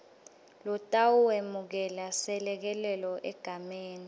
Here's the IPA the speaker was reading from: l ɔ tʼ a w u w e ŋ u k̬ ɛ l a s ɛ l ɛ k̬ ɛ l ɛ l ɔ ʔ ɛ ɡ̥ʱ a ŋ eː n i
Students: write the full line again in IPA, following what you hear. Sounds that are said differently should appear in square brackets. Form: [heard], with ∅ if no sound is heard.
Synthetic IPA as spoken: l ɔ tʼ a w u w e [m] u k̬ ɛ l a s ɛ l ɛ k̬ ɛ l ɛ l ɔ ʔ ɛ ɡ̥ʱ a [m] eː n i